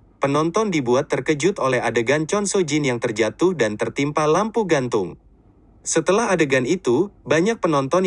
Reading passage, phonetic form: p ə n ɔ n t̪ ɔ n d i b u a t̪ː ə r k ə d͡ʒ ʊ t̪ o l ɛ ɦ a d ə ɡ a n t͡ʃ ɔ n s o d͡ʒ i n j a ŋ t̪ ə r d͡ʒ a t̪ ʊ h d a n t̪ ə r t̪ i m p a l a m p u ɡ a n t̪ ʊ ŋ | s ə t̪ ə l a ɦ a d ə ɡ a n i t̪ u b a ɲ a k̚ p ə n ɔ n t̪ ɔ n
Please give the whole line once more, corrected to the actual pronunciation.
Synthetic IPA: p ə n ɔ n t̪ ɔ n d i b u a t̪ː ə r k ə d͡ʒ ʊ t̪ o l ɛ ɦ a d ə ɡ a n t͡ʃ ɔ n s o d͡ʒ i n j a ŋ t̪ ə r d͡ʒ a t̪ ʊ h d a n t̪ ə r t̪ i m p a l a m p u ɡ a n t̪ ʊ ŋ | s ə t̪ ə l a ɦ a d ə ɡ a n i t̪ u b a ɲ a k̚ p ə n ɔ n t̪ ɔ n